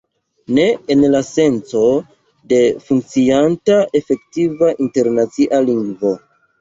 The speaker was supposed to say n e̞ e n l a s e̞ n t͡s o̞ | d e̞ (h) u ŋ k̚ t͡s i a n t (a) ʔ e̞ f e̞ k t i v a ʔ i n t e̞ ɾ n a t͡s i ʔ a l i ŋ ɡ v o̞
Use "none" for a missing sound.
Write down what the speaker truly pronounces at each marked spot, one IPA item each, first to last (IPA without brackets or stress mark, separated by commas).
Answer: f, a